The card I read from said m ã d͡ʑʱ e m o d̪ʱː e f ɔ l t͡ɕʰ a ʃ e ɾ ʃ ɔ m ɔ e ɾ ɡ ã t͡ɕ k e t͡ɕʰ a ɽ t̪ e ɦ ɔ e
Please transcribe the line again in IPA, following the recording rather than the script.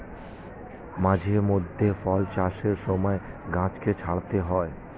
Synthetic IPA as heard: m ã d͡ʑʱ e m o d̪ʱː e f ɔ l t͡ɕ a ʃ e ɾ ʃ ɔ m ɔ e ɡ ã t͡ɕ k e t͡ɕʰ a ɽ t̪ e ɦ ɔ e